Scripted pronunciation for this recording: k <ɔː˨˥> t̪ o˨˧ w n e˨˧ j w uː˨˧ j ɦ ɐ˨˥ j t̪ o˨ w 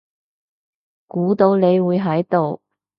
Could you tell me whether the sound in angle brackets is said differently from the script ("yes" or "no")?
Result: yes